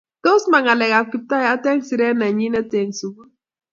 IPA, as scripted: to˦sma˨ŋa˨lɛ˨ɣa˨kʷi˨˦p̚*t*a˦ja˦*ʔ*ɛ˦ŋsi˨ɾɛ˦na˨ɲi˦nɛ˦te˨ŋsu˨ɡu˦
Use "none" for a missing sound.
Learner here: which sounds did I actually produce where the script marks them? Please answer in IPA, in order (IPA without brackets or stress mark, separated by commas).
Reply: t, t